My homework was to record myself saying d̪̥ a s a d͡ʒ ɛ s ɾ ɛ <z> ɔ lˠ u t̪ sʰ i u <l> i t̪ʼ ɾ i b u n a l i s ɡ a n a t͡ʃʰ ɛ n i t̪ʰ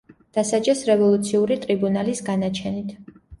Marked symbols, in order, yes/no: no, no

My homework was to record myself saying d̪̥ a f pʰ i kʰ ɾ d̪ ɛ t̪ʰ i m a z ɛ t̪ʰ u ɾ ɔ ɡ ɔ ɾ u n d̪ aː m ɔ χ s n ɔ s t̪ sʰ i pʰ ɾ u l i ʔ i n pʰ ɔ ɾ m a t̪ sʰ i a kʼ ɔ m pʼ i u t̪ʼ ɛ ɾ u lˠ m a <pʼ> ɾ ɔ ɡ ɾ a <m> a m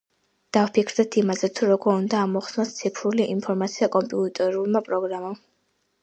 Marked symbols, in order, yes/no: yes, yes

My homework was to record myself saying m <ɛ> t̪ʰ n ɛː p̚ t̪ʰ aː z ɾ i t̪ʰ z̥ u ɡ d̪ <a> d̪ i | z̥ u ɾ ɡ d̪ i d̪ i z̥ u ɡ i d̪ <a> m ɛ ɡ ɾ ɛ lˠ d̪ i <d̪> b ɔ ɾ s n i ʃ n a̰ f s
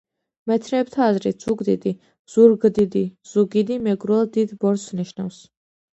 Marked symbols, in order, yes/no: yes, no, no, yes

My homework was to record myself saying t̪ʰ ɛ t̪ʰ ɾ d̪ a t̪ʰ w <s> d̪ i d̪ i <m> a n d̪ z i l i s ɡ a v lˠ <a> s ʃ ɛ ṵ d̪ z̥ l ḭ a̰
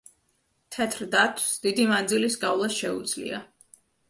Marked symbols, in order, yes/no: yes, yes, yes

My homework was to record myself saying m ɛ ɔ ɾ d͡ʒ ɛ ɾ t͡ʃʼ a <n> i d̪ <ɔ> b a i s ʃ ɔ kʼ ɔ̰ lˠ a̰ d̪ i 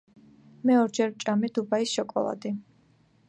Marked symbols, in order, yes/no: no, no

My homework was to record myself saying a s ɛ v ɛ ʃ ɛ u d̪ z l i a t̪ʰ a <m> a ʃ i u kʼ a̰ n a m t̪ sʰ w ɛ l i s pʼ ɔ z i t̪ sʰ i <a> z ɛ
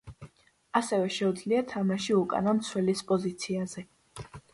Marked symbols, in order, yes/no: yes, yes

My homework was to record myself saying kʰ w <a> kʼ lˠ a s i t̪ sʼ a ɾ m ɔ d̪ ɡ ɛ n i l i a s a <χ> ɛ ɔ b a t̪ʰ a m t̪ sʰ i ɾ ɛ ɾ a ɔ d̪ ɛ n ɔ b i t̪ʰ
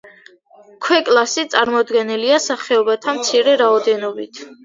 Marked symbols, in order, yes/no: no, yes

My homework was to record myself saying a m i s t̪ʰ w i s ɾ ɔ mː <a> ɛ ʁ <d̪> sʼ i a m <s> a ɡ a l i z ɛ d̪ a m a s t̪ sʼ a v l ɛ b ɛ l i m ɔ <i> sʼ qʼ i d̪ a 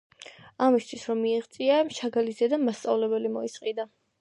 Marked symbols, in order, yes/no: no, no, no, yes

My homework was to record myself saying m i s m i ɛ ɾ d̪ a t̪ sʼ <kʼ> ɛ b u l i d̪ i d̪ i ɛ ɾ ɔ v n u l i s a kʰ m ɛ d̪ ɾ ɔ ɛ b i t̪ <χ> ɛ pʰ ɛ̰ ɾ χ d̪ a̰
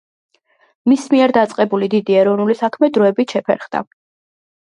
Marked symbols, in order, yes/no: no, no

